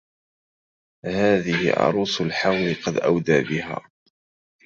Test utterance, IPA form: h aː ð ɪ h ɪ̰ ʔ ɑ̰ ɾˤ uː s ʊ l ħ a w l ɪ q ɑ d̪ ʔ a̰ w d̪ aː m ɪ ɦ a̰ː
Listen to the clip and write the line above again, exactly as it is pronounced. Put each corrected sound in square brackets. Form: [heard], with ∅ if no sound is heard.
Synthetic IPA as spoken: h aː ð ɪ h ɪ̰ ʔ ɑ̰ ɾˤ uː s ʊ l ħ a w l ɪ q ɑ d̪ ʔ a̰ w d̪ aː [b] ɪ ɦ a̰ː